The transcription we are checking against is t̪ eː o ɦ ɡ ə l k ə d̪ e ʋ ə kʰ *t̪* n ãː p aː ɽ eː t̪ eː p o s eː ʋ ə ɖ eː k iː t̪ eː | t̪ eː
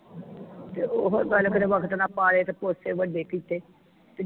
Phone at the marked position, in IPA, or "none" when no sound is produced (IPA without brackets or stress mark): t̪